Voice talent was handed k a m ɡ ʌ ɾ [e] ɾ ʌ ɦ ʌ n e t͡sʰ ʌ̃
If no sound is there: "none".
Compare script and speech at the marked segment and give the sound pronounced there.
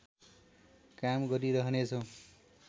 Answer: i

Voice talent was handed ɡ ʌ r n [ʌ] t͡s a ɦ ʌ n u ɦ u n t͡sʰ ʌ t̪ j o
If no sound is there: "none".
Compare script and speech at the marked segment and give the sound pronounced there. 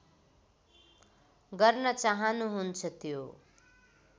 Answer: ʌ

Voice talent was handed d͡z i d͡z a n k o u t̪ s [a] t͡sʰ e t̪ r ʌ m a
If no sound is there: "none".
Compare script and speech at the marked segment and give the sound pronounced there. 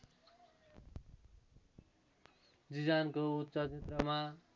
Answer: ʌ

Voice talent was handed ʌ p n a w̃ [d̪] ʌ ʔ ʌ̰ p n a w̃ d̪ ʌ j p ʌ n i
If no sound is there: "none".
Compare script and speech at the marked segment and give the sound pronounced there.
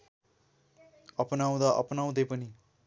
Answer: d̪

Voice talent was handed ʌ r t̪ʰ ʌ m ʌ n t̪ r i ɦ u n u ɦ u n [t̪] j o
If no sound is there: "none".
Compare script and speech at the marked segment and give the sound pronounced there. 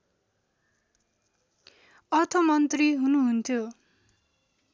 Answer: t̪ʰ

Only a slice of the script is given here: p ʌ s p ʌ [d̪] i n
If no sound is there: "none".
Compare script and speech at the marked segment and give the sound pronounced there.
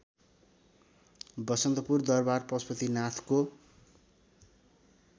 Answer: t̪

